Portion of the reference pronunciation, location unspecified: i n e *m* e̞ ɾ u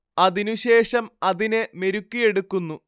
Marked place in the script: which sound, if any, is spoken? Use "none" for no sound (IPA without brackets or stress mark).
m